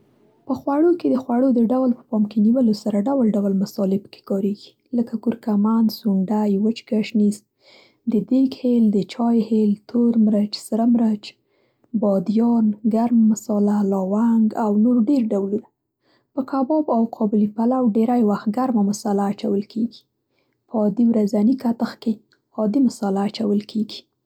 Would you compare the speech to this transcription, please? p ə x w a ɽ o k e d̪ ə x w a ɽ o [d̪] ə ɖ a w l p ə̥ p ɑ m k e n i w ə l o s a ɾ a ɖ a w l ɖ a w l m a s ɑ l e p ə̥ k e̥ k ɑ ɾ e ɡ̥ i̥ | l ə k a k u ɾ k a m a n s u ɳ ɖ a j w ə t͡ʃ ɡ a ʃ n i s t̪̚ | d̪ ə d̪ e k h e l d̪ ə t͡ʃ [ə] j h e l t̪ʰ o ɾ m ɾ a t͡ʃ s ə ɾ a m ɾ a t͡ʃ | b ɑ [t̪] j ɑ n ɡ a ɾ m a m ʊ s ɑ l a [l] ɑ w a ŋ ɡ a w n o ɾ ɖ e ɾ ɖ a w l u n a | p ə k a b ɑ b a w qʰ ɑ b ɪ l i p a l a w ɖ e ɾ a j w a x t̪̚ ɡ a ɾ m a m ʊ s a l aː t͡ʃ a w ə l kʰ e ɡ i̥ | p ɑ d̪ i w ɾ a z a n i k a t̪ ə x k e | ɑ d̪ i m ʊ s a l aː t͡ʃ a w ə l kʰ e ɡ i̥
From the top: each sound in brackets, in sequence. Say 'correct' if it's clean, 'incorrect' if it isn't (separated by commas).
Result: correct, incorrect, incorrect, correct